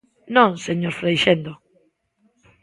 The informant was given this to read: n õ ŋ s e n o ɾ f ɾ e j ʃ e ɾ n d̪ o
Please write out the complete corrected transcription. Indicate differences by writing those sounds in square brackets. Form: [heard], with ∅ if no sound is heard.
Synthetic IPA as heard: n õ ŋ s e [ɲ] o ɾ f ɾ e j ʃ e [∅] n d̪ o